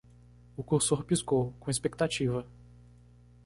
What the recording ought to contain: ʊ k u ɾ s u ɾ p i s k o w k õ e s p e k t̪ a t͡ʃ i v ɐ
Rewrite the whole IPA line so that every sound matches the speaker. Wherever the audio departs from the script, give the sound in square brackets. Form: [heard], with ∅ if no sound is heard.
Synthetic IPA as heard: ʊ k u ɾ s [o] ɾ p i s k o w k õ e s p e k t̪ a t͡ʃ i v ɐ